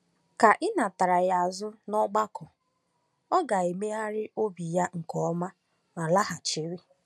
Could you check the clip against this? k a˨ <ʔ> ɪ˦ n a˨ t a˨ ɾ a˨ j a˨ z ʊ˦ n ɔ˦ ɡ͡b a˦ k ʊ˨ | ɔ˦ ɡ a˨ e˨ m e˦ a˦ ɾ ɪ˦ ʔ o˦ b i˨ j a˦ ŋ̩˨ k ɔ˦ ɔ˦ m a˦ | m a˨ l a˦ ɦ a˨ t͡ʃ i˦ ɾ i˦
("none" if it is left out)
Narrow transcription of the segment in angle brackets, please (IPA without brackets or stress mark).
ʔ